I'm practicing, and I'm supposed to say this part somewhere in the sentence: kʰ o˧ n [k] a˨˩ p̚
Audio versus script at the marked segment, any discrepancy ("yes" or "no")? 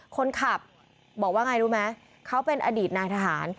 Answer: yes